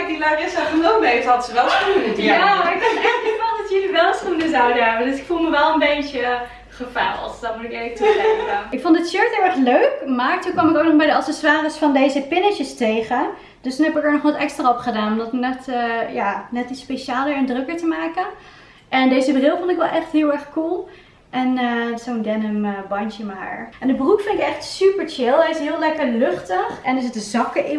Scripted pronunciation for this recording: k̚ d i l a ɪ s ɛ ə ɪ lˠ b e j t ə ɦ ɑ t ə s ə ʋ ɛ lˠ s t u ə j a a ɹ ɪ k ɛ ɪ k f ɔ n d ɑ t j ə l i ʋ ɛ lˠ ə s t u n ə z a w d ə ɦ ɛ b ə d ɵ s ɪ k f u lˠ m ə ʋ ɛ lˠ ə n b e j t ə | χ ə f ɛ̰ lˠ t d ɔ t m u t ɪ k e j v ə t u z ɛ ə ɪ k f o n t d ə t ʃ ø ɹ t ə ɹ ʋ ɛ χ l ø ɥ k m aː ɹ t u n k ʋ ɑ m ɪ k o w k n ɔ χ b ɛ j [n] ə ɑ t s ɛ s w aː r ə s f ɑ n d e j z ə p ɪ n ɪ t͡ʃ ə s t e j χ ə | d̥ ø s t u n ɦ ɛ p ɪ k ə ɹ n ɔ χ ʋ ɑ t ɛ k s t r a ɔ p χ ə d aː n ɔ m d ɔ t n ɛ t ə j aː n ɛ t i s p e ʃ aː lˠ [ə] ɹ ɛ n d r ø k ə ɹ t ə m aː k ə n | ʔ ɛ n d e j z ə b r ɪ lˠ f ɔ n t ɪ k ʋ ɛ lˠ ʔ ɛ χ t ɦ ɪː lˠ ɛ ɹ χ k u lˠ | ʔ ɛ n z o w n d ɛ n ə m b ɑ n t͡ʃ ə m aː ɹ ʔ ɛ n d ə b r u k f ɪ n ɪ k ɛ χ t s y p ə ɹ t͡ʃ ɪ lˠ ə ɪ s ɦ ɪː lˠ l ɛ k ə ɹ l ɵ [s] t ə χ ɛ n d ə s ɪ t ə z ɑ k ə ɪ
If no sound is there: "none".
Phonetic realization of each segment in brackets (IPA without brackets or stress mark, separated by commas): d, ə, χ